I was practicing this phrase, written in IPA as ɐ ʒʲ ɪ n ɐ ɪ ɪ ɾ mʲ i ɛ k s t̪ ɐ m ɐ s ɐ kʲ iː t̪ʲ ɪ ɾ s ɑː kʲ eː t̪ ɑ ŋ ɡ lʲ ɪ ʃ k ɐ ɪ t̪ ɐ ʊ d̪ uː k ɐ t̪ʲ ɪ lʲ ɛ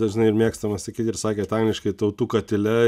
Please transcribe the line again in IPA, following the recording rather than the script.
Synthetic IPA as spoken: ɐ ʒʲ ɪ n ɐ ɪ ɪ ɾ mʲ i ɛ k s t̪ ɐ m ɐ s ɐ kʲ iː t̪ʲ ɪ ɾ s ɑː kʲ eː t̪ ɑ ŋ ɡ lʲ ɪ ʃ k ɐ ɪ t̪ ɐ ʊ t̪ uː k ɐ t̪ʲ ɪ lʲ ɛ